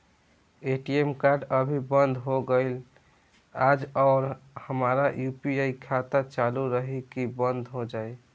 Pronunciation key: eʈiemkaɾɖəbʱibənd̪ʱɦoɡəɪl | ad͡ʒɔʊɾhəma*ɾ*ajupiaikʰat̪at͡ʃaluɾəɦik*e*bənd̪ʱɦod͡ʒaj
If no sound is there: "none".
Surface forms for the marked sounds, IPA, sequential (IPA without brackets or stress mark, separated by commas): ɾ, i